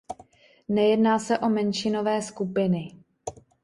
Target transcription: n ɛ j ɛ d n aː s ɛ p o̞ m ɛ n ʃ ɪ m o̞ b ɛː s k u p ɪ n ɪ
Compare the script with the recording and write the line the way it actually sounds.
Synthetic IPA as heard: n ɛ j ɛ d n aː s ɛ ʔ o̞ m ɛ n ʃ ɪ n o̞ v ɛː s k u p ɪ n ɪ